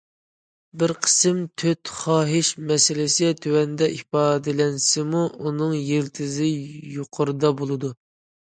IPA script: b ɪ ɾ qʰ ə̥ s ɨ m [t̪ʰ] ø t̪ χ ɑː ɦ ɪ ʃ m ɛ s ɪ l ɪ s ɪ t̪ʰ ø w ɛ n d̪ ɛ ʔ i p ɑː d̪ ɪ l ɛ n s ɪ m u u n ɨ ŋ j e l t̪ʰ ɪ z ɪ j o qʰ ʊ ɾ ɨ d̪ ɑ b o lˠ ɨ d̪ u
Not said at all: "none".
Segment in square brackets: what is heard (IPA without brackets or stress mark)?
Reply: t̪ʰ